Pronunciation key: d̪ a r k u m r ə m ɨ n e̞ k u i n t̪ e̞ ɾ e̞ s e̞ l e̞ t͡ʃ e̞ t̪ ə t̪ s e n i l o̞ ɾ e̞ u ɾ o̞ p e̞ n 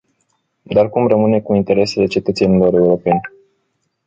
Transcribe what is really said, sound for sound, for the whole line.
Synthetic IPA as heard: d̪ a r k u m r ə m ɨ n e̞ k u i n t̪ e̞ ɾ e̞ s e̞ l e̞ t͡ʃ e̞ t̪ ə t̪ s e n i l o̞ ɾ e̞ u ɾ o̞ p e̞ n